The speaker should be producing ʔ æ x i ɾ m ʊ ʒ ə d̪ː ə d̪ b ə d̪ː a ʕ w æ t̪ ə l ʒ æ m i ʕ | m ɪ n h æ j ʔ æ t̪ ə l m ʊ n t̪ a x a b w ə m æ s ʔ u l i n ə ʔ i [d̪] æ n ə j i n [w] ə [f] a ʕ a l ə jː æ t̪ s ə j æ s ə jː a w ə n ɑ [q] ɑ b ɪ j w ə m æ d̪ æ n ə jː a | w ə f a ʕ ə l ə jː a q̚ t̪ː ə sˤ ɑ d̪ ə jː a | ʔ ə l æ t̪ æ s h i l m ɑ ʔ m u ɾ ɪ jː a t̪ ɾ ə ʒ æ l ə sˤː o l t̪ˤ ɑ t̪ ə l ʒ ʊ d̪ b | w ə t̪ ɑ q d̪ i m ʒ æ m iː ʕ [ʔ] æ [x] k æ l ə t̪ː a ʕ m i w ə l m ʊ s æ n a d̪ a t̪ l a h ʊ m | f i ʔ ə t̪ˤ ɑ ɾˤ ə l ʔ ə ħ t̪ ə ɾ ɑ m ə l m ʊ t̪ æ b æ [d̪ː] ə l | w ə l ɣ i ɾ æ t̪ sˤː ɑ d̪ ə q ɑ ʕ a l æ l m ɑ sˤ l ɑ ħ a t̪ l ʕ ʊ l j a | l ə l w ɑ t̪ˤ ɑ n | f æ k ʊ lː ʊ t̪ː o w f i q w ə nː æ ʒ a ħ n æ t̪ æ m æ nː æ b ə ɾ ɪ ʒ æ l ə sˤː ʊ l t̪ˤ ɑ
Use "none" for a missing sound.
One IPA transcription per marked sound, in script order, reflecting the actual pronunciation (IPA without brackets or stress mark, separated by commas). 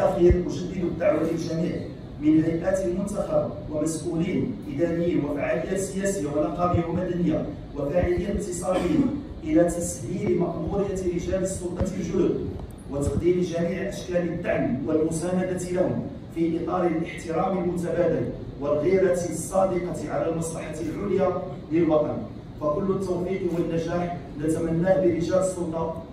d̪, w, f, q, ʔ, ʃ, d̪